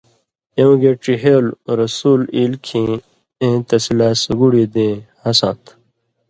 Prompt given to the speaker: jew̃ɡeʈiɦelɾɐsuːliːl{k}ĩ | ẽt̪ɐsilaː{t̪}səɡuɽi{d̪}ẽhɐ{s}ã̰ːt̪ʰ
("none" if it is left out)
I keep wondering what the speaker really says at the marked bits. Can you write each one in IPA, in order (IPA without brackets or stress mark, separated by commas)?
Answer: kʰ, none, d̪, s